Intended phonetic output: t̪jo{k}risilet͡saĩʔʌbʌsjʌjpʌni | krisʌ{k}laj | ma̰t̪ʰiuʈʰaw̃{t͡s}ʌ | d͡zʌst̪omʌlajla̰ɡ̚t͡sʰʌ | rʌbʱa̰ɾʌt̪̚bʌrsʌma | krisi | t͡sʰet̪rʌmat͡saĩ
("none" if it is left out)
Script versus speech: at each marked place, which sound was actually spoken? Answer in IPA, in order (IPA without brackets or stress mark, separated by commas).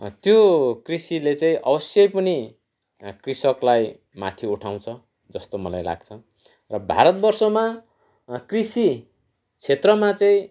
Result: k, k, t͡sʰ